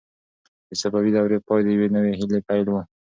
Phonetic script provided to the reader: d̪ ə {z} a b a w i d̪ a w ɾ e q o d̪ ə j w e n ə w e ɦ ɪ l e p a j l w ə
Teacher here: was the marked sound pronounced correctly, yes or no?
no